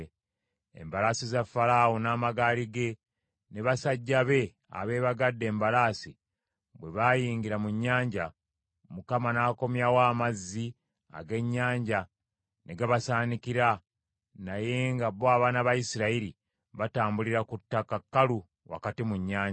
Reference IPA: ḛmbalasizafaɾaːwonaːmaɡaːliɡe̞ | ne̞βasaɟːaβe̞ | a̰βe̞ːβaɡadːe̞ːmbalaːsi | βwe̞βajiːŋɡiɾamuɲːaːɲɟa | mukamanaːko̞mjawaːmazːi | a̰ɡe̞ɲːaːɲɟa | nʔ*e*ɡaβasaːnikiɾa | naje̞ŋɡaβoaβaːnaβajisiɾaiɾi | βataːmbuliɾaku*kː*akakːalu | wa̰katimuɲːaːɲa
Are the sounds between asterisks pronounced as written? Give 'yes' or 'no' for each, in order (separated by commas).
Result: yes, no